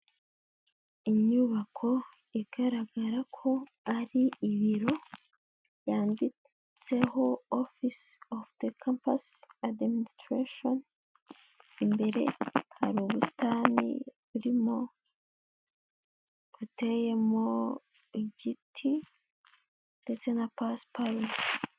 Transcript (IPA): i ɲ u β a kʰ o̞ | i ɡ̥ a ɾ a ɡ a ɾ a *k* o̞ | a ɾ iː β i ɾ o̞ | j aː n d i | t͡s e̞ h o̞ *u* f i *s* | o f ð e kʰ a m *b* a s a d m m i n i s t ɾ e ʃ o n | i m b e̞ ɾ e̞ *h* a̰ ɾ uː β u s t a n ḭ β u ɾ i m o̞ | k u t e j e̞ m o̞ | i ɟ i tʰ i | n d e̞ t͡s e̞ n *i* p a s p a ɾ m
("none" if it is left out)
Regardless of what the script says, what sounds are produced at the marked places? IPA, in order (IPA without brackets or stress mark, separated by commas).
kʰ, o, s, p, h, a